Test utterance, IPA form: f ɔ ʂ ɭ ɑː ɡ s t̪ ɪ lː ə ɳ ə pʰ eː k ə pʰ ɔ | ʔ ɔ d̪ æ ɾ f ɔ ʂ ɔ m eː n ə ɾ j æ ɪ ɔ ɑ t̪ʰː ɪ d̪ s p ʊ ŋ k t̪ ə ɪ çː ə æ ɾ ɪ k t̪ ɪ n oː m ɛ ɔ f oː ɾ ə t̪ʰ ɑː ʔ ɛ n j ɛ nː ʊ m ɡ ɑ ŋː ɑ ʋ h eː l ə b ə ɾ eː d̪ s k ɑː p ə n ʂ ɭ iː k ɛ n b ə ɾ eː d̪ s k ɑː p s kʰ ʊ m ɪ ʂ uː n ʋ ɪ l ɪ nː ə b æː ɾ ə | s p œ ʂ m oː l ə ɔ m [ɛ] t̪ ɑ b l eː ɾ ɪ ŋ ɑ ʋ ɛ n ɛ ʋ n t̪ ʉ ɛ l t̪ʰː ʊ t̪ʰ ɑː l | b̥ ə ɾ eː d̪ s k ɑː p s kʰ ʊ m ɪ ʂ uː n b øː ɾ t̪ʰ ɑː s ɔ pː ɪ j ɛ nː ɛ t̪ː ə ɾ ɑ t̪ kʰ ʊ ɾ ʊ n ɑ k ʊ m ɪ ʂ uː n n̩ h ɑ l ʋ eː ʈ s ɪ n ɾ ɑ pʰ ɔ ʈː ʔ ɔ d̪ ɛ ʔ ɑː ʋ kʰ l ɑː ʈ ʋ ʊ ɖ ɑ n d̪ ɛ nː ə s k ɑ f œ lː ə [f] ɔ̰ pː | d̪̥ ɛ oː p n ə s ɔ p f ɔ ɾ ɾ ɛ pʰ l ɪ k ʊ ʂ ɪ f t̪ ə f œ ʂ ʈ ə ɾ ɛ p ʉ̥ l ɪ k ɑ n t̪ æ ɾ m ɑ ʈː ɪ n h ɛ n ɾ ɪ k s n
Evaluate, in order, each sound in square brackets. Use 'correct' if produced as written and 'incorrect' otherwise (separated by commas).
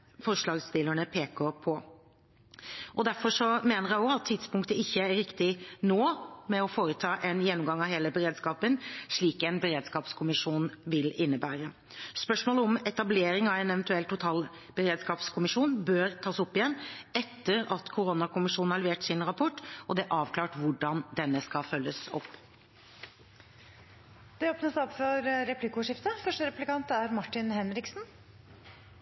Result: correct, incorrect